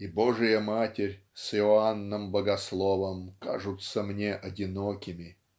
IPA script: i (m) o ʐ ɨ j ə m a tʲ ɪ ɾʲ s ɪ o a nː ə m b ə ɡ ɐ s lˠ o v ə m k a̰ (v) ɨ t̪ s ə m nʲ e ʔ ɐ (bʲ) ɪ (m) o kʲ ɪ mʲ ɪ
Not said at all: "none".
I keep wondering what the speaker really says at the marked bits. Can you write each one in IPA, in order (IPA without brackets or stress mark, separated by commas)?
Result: b, ʐ, dʲ, n